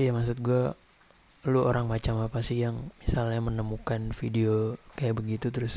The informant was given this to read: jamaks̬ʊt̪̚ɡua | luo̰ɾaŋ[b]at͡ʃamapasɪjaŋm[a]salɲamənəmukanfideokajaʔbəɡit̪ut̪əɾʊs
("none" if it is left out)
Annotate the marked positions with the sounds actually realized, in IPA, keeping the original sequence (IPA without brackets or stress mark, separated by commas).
m, i